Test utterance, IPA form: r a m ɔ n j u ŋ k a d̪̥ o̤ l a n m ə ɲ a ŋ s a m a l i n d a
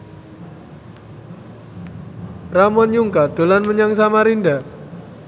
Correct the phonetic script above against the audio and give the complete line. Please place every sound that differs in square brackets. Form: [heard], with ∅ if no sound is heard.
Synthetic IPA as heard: r a m ɔ n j u ŋ k a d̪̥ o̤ l a n m ə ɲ a ŋ s a m a [ɾ] i n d a